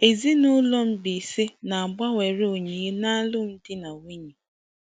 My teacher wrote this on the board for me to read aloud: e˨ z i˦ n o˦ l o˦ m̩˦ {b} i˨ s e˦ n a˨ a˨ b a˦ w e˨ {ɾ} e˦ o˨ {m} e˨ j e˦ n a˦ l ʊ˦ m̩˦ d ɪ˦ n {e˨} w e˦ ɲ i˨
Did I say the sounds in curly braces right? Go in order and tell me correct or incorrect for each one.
correct, correct, incorrect, incorrect

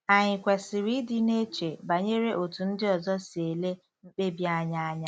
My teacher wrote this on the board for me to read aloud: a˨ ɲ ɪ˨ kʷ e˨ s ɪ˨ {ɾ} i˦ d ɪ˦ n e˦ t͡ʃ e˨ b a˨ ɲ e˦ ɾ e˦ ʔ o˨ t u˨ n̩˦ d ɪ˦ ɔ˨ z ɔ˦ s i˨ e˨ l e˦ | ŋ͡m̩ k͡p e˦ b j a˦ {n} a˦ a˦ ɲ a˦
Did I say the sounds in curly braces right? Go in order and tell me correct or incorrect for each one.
correct, incorrect

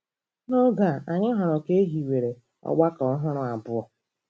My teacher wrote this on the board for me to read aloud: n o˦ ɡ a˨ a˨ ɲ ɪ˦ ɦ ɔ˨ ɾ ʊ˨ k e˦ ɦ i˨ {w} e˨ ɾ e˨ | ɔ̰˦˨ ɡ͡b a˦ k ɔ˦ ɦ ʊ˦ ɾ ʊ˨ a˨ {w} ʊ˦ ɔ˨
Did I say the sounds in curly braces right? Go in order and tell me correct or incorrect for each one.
correct, incorrect

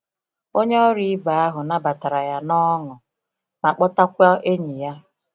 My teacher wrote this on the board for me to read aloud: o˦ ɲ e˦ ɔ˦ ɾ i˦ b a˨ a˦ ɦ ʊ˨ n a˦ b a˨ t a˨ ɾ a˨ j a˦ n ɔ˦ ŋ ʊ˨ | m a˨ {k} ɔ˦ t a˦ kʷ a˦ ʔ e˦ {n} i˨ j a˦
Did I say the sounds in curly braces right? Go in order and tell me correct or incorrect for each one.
incorrect, incorrect

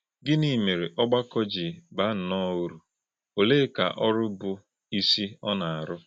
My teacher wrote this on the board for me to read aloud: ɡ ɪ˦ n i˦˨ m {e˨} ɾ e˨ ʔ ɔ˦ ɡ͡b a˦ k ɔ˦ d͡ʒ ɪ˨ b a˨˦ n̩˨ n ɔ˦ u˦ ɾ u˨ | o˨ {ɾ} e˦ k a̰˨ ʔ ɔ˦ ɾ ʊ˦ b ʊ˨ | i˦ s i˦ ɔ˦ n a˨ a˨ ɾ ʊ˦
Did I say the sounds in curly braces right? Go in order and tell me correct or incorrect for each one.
correct, incorrect

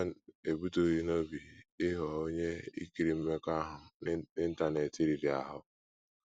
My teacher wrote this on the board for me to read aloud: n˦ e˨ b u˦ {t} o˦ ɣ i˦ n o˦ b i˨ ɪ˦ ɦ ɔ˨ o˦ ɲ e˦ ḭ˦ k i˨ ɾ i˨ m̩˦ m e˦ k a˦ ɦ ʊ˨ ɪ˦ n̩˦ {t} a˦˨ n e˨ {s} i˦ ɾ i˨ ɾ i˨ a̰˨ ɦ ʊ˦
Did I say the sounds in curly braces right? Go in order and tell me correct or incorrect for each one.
correct, correct, incorrect

